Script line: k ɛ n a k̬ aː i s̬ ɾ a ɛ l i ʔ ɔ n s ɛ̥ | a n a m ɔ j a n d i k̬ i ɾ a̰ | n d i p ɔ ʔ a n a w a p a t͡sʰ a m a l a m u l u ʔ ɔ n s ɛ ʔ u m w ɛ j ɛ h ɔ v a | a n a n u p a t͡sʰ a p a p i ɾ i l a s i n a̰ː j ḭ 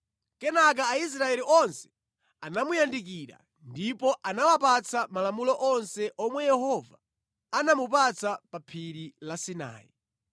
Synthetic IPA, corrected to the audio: k ɛ n a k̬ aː i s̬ ɾ a ɛ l i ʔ ɔ n s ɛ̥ | a n a m u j a n d i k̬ i ɾ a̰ | n d i p ɔ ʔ a n a w a p a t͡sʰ a m a l a m u l ɔ ʔ ɔ n s ɛ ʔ ɔ m w ɛ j ɛ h ɔ v a | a n a m u p a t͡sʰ a p a pʰ i ɾ i l a s i n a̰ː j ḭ